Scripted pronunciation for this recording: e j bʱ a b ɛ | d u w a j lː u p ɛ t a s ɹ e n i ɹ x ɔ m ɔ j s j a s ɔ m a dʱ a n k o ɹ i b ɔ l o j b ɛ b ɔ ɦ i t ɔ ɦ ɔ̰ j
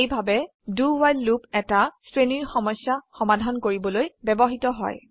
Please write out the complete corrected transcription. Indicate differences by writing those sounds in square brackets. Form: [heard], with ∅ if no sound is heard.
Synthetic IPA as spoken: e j bʱ a b ɛ | d u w a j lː u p ɛ t a s ɹ e n i ɹ x ɔ m ɔ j s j a [x] ɔ m a dʱ a n k o ɹ i b ɔ l o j b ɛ b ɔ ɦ i t ɔ ɦ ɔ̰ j